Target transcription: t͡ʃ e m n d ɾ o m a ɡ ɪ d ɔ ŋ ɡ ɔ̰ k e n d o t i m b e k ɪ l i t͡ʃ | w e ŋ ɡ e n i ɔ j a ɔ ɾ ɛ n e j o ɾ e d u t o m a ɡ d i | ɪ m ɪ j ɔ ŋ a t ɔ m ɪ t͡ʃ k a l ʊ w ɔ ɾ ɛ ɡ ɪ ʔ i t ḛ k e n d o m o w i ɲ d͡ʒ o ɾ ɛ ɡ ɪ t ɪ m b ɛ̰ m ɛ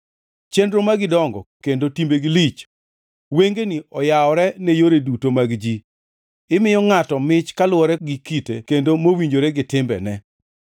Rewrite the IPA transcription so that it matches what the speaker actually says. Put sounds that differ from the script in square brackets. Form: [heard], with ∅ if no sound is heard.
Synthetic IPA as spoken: t͡ʃ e [∅] n d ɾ o m a ɡ ɪ d ɔ ŋ ɡ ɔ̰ k e n d o t i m b e [ɡ] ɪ l i t͡ʃ | w e ŋ ɡ e n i ɔ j a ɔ ɾ ɛ n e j o ɾ e d u t o m a ɡ [d͡ʒ] i | ɪ m ɪ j ɔ ŋ a t ɔ m ɪ t͡ʃ k a l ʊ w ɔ ɾ ɛ ɡ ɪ [k] i t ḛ k e n d o m o w i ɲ d͡ʒ o ɾ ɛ ɡ ɪ t ɪ m b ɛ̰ [n] ɛ